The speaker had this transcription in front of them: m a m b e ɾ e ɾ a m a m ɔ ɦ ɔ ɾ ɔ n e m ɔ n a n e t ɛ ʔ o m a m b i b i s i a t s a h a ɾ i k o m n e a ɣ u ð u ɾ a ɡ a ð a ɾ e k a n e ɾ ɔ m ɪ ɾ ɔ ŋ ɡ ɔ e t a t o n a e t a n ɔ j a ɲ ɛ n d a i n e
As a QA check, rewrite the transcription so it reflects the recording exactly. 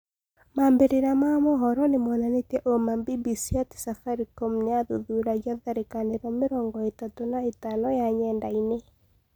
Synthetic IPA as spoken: m a m b e ɾ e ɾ a m a m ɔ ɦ ɔ ɾ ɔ n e m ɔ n a n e t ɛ ʔ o m a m b i b i s i a t s a f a ɾ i k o m n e a ð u ð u ɾ a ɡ a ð a ɾ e k a n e ɾ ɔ m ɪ ɾ ɔ ŋ ɡ ɔ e t a t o n a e t a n ɔ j a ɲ ɛ n d a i n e